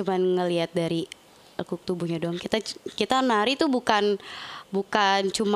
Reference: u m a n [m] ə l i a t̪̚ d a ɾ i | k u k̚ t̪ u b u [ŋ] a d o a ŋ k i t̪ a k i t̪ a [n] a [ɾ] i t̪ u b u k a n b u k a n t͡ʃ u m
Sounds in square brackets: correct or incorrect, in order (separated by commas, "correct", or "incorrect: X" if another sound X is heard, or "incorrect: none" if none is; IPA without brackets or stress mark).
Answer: incorrect: ŋ, incorrect: ɲ, correct, correct